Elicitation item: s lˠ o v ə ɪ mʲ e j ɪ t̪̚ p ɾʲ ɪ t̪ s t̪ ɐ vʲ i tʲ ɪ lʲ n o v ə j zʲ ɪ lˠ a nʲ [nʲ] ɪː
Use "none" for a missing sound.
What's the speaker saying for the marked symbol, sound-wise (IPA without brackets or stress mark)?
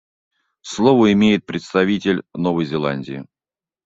dʲ